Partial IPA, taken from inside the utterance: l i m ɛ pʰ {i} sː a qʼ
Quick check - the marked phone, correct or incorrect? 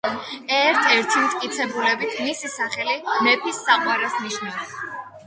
correct